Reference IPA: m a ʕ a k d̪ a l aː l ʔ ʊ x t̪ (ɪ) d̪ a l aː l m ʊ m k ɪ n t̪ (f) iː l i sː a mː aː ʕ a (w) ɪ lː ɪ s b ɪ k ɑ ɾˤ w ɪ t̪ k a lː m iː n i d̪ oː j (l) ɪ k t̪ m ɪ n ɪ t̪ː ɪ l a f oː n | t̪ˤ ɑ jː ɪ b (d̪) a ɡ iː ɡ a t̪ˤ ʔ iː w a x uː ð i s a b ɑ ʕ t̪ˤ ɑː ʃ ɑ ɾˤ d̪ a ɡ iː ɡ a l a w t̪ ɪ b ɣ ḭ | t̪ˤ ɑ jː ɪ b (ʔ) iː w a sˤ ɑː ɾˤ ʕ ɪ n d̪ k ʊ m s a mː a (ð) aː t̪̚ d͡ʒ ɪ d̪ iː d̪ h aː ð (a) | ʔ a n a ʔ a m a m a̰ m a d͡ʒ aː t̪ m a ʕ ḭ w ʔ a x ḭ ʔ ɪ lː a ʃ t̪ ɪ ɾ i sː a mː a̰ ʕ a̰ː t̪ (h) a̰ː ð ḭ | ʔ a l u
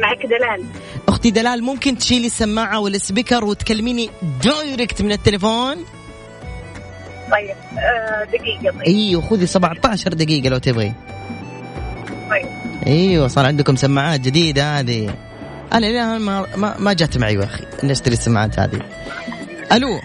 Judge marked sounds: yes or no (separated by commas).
no, no, yes, no, yes, yes, no, no, yes